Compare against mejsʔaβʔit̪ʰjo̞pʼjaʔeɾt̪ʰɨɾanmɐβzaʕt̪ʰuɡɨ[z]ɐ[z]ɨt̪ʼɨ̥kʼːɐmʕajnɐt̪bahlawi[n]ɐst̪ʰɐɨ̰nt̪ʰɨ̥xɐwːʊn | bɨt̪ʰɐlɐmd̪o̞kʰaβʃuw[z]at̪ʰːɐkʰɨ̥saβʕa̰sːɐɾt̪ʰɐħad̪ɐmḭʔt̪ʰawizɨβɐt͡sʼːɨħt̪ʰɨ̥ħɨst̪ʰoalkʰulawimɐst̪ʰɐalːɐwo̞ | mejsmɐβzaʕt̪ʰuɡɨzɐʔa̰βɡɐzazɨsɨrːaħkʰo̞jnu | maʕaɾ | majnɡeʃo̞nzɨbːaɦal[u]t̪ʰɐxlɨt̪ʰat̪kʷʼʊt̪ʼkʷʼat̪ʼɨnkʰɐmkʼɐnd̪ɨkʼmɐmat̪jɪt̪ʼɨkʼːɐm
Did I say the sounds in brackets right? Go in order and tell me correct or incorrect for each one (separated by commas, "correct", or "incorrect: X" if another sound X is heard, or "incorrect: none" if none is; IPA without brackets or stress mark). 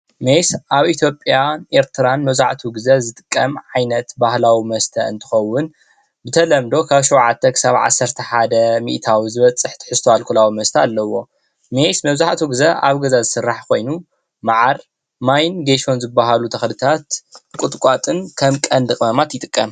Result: correct, correct, incorrect: m, incorrect: ʕ, correct